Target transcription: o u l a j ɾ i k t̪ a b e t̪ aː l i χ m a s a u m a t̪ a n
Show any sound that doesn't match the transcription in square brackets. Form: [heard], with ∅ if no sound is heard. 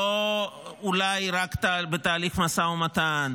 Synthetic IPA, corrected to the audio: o u l a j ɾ [a] k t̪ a b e t̪ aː l i χ m a s a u m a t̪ a n